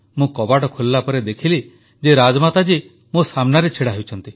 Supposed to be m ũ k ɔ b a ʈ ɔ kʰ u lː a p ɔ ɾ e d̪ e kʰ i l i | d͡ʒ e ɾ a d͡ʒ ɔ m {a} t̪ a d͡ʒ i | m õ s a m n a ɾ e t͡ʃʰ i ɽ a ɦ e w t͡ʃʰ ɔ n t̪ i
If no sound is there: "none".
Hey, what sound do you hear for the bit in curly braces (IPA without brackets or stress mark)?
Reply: a